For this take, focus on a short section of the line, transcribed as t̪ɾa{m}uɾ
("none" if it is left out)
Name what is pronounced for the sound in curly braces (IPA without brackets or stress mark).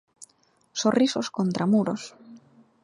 m